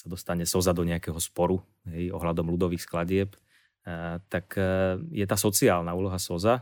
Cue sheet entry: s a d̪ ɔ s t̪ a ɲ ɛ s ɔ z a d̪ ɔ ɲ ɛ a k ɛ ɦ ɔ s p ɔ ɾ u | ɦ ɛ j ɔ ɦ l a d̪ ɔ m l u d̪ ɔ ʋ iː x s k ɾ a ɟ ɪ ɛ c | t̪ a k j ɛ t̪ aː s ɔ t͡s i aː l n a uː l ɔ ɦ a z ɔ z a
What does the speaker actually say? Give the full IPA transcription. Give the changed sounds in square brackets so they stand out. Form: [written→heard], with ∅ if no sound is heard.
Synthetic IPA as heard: s a d̪ ɔ s t̪ a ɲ ɛ s ɔ z a d̪ ɔ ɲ ɛ a k ɛ ɦ ɔ s p ɔ ɾ u | ɦ ɛ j ɔ ɦ l a d̪ ɔ m l u d̪ ɔ ʋ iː x s k [ɾ→l] a ɟ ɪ ɛ [c→p] | t̪ a k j ɛ t̪ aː s ɔ t͡s i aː l n a uː l ɔ ɦ a [z→s] ɔ z a